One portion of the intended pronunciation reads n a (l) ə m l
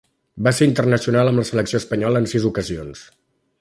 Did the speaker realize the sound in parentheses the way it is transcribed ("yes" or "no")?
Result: yes